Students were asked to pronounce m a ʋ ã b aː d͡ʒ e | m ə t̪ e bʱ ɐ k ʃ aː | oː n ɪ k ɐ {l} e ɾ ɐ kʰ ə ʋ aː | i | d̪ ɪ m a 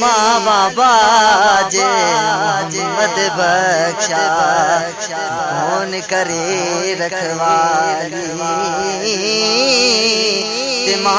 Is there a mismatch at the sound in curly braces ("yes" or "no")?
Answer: yes